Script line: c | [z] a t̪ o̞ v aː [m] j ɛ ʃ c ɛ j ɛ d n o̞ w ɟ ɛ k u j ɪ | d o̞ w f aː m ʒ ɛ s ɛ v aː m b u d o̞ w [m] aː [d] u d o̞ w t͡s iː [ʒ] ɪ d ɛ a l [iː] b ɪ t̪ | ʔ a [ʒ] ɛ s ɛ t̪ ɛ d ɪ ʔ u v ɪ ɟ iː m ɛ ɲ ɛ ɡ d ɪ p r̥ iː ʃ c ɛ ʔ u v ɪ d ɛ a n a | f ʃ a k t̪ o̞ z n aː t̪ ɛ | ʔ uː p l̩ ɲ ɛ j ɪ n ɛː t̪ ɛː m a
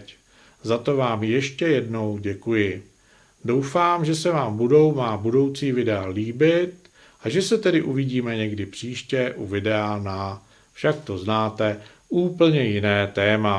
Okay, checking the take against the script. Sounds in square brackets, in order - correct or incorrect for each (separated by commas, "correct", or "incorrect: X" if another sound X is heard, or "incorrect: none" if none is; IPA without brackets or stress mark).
correct, correct, correct, incorrect: b, incorrect: v, correct, correct